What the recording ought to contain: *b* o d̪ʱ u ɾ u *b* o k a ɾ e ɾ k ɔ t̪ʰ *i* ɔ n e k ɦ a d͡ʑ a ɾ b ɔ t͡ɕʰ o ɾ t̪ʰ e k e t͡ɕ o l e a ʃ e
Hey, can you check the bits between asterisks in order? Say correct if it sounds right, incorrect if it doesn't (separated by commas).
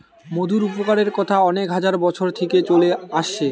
incorrect, incorrect, incorrect